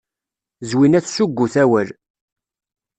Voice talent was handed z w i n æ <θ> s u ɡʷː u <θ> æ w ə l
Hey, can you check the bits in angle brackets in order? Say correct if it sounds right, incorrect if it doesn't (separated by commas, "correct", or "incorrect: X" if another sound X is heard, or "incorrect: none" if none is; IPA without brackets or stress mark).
correct, correct